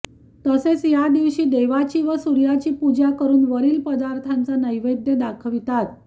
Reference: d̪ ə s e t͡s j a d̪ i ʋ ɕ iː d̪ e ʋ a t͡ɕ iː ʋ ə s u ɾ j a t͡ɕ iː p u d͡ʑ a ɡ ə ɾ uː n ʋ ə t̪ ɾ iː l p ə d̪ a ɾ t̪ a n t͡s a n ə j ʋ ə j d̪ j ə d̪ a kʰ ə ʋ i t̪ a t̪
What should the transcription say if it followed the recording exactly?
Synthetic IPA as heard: t̪ ə s e t͡s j a d̪ i ʋ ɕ iː d̪ e ʋ a t͡ɕ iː ʋ ə s u ɾ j a t͡ɕ iː p u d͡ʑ a k ə ɾ uː n ʋ ə ɾ iː l p ə d̪ a ɾ t̪ʰ a n t͡s a n ə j ʋ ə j d̪ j ə d̪ a kʰ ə ʋ i t̪ a t̪

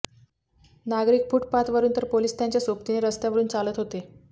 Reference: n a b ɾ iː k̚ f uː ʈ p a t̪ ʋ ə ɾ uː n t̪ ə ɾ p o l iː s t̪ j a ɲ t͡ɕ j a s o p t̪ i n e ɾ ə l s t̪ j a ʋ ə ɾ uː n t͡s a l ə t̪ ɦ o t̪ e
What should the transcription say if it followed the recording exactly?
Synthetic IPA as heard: n a ɡ ɾ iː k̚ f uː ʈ p a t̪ ʋ ə ɾ uː n t̪ ə ɾ p o l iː s t̪ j a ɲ t͡ɕ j a s o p t̪ i n e ɾ ə s t̪ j a ʋ ə ɾ uː n t͡s a l ə t̪ ɦ o t̪ e

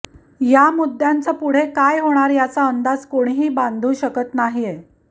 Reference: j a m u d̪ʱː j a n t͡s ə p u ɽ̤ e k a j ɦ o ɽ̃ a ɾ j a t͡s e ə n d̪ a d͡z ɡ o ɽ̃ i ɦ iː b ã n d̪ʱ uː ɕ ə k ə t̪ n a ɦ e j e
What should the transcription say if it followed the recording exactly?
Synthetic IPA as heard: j a m u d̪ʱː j a n t͡s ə p u ɽ̤ e k a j ɦ o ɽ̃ a ɾ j a t͡s a ə n d̪ a d͡z k o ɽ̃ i ɦ iː b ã n d̪ʱ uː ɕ ə k ə t̪ n a ɦ i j e

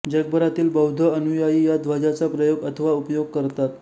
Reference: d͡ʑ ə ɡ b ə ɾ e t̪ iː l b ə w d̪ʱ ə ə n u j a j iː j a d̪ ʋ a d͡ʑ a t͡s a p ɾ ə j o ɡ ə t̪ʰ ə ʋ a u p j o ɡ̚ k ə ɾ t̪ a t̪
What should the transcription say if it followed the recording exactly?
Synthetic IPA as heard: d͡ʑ ə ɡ b ə ɾ a t̪ iː l b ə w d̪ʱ ə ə n u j a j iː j a d̪ ʋ a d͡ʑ a t͡s a p ɾ ə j o ɡ ə t̪ʰ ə ʋ a u p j o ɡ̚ k ə ɾ t̪ a t̪

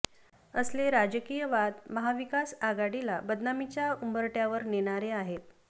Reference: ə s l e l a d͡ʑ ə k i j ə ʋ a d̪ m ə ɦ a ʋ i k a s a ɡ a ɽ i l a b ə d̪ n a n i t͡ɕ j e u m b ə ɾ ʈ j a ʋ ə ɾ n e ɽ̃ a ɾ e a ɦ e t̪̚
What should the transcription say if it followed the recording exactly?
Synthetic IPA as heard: ə s l e ɾ a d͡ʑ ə k i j ə ʋ a d̪ m ə ɦ a ʋ i k a s a ɡ a ɽ i l a b ə d̪ n a m i t͡ɕ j a u m b ə ɾ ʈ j a ʋ ə ɾ n e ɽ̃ a ɾ e a ɦ e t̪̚

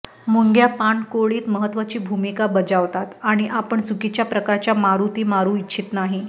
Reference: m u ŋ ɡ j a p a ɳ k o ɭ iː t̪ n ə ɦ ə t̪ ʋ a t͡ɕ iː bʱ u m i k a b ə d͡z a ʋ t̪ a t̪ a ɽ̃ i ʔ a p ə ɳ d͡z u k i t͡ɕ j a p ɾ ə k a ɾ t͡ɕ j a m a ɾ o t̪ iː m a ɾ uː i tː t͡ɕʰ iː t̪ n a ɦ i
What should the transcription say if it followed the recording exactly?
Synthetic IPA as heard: m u ŋ ɡ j a p a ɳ k o ɭ iː t̪ m ə ɦ ə t̪ ʋ a t͡ɕ iː bʱ u m i k a b ə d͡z a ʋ t̪ a t̪ a ɽ̃ i ʔ a p ə ɳ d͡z u k i t͡ɕ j a p ɾ ə k a ɾ t͡ɕ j a m a ɾ u t̪ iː m a ɾ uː i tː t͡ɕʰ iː t̪ n a ɦ i

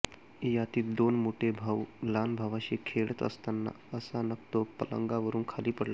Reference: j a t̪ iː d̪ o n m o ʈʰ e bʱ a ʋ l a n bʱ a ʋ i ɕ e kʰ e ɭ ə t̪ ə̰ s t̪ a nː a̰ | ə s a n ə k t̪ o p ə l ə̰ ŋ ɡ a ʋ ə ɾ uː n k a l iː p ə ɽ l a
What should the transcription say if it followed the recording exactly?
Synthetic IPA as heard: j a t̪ iː d̪ o n m o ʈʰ e bʱ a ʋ l a n bʱ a ʋ a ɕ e kʰ e ɭ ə t̪ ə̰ s t̪ a nː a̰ | ə s a n ə k t̪ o p ə l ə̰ ŋ ɡ a ʋ ə ɾ uː n kʰ a l iː p ə ɽ l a

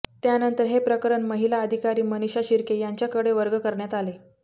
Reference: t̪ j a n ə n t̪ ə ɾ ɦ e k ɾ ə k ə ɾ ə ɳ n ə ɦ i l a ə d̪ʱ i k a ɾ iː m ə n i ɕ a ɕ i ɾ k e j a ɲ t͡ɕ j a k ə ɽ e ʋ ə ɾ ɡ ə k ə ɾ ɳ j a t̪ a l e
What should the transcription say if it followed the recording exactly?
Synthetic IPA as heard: t̪ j a n ə n t̪ ə ɾ ɦ e p ɾ ə k ə ɾ ə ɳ m ə ɦ i l a ə d̪ʱ i k a ɾ iː m ə n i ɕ a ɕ i ɾ k e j a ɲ t͡ɕ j a k ə ɽ e ʋ ə ɾ ɡ ə k ə ɾ ɳ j a t̪ a l e

